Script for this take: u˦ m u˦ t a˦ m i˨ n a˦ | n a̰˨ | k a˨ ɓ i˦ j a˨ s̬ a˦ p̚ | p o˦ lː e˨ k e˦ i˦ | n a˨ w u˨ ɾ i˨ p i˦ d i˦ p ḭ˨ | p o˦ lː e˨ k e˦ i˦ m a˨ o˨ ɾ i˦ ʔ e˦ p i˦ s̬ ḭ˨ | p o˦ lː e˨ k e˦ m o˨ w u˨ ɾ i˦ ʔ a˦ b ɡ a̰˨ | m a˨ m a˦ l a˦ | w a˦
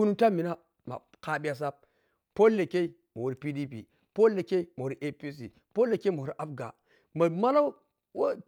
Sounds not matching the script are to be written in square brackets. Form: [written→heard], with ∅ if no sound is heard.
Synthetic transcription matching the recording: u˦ [m→n] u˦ t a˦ m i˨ n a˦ | [n→m] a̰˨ | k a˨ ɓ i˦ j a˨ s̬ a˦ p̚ | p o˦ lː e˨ k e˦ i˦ | [n→m] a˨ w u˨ ɾ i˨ p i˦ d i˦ p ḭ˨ | p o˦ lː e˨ k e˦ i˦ m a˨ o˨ ɾ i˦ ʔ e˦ p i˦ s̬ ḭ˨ | p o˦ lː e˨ k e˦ m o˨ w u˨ ɾ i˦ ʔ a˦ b ɡ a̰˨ | m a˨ m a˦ l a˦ | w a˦